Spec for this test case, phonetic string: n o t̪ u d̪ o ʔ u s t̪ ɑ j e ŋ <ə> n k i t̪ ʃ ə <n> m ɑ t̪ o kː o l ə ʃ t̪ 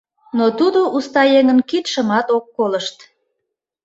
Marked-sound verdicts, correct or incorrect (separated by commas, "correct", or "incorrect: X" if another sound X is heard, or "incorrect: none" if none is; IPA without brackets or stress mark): correct, incorrect: none